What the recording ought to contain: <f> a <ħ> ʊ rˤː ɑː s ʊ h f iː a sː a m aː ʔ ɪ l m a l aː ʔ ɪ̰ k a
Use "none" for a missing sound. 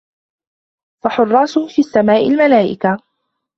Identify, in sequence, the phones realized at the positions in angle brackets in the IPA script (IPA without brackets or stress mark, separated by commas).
f, ħ